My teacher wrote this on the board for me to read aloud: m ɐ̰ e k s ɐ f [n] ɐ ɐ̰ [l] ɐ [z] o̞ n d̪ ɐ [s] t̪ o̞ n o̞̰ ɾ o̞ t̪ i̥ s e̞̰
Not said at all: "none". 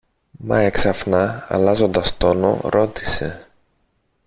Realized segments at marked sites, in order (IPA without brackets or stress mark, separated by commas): n, l, z, s